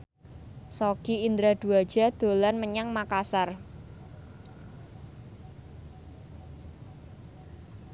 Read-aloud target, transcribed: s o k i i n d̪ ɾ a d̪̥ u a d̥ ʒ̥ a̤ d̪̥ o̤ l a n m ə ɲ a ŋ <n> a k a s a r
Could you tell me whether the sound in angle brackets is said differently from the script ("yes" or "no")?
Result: yes